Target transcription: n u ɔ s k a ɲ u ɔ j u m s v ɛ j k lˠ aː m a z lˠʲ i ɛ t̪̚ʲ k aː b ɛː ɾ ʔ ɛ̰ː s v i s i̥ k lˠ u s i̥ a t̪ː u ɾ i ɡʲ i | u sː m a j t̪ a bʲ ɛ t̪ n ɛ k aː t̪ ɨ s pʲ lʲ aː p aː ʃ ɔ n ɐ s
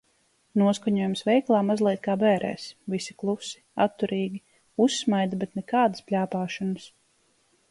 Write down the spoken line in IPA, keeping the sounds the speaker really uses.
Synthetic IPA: n u ɔ s k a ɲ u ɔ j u m s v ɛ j k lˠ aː m a z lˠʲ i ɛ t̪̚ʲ k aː b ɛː ɾ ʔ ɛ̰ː s v i s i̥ k lˠ u s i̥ a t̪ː u ɾ iː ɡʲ i | u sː m a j d̪ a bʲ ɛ t̪ n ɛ k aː d̪ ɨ s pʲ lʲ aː p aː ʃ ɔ n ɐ s